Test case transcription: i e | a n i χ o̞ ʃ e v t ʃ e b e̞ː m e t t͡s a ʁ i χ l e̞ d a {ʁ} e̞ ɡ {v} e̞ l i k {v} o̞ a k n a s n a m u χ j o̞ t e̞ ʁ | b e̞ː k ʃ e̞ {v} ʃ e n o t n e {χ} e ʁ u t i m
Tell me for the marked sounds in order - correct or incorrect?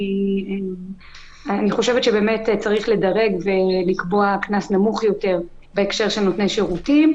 correct, correct, incorrect: b, incorrect: ʁ, incorrect: ʃ

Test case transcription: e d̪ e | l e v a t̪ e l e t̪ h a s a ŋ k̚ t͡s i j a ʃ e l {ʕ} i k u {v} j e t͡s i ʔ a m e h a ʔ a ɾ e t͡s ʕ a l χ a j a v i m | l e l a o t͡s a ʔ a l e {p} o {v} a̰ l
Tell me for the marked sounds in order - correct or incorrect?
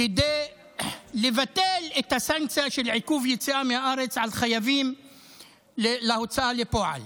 correct, correct, correct, incorrect: ʕ

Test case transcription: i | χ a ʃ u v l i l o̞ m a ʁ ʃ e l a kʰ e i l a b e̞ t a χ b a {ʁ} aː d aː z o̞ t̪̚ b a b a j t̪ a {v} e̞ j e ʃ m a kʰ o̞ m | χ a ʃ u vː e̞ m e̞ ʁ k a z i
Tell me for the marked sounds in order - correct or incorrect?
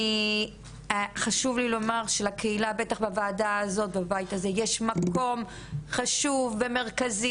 incorrect: v, incorrect: z

